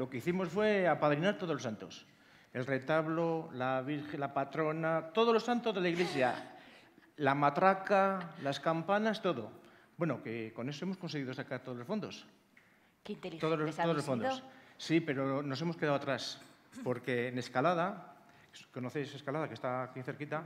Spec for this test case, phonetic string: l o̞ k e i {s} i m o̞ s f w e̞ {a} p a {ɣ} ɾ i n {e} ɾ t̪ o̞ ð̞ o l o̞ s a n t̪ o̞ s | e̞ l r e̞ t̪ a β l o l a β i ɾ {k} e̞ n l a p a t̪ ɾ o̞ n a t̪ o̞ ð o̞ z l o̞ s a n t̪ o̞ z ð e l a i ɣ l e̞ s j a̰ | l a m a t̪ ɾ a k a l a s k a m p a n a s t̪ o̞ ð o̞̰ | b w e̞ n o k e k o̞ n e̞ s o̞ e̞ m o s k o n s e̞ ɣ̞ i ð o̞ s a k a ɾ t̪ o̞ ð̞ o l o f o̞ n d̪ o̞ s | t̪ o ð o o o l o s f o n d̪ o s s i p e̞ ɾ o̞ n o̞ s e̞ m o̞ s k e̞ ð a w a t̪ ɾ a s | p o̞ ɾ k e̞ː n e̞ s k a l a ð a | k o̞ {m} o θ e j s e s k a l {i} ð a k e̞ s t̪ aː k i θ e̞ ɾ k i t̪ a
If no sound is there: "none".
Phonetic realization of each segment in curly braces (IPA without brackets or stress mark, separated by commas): θ, a, ð, a, x, n, a